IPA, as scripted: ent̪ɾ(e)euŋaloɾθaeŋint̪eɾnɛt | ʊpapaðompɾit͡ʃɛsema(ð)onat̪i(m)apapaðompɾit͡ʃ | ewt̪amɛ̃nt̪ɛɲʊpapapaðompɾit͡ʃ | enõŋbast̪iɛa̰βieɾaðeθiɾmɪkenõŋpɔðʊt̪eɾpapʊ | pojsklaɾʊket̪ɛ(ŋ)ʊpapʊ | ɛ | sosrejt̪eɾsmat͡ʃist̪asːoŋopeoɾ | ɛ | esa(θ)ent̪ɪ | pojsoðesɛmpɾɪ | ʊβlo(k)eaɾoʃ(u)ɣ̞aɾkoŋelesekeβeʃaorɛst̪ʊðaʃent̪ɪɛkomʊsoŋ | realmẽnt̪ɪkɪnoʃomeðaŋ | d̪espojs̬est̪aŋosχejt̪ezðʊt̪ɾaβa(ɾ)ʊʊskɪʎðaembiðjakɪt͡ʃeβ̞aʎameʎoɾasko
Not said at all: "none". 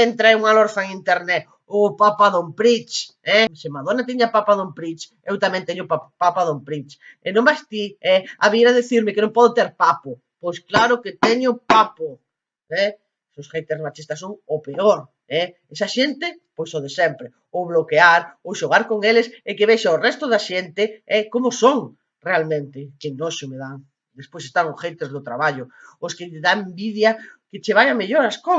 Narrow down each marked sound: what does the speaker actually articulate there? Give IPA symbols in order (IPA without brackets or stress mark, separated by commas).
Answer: a, ð, ɲ, ɲ, ʃ, k, o, ʎ